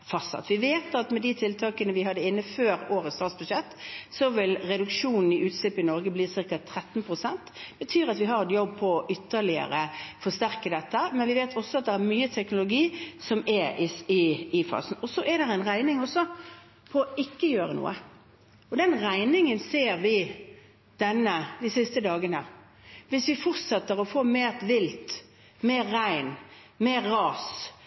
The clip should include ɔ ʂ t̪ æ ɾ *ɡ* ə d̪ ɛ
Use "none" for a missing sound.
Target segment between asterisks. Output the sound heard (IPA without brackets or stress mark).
k